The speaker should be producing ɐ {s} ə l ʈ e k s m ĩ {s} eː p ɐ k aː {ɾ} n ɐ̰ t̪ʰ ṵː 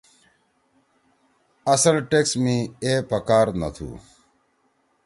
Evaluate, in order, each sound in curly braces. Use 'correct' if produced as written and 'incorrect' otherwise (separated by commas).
correct, incorrect, correct